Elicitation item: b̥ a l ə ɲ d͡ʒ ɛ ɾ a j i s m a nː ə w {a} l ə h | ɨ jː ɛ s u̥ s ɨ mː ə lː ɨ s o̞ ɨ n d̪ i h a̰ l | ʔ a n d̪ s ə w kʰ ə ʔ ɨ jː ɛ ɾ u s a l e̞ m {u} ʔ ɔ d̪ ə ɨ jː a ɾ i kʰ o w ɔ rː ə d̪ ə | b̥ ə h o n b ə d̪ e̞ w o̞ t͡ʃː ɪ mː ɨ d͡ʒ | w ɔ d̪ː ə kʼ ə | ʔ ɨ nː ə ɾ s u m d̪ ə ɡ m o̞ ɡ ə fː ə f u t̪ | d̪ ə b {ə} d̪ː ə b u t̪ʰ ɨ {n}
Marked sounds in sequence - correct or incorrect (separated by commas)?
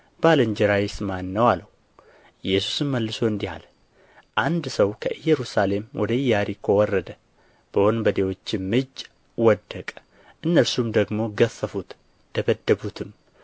correct, incorrect, correct, incorrect